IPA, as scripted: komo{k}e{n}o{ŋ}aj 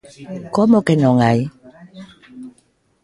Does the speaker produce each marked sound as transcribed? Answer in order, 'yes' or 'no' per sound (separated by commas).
yes, yes, yes